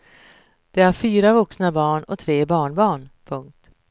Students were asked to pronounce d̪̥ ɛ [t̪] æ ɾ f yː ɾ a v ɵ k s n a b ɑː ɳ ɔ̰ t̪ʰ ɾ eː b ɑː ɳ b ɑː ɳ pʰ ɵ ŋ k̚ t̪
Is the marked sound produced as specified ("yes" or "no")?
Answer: no